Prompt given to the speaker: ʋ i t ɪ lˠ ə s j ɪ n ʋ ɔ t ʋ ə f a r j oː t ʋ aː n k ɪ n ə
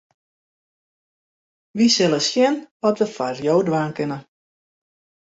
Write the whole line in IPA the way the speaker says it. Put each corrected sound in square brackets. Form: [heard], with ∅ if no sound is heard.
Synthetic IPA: ʋ i [s] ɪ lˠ ə s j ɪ n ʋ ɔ t ʋ ə f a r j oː [d] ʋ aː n k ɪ n ə